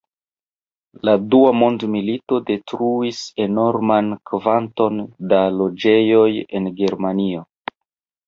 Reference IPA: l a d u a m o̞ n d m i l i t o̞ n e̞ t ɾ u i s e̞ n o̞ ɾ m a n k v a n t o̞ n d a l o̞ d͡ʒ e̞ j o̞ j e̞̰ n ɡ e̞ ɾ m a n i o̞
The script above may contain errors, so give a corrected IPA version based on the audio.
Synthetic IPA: l a d u a m o̞ n d m i l i t o̞ d e̞ t ɾ u i s e̞ n o̞ ɾ m a n k v a n t o̞ n d a l o̞ d͡ʒ e̞ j o̞ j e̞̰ n ɡ e̞ ɾ m a n i o̞